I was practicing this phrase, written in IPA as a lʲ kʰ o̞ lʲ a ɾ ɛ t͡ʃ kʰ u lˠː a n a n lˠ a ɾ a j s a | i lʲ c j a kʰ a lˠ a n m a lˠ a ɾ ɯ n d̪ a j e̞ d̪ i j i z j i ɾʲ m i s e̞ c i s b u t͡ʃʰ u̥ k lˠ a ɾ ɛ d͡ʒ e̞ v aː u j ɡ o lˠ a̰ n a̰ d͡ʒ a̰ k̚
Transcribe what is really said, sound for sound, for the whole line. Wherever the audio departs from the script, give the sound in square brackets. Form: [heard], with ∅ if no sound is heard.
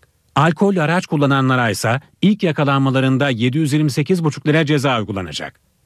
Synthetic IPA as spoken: a lʲ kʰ o̞ lʲ a ɾ [a] t͡ʃ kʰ u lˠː a n a n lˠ a ɾ a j s a | i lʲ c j a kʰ a lˠ a n m a lˠ a ɾ ɯ n d̪ a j e̞ d̪ i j [y] z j i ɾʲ m i s e̞ c i [z] b u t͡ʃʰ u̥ k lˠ a ɾ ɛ d͡ʒ e̞ [z] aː u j ɡ [u] lˠ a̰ n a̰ d͡ʒ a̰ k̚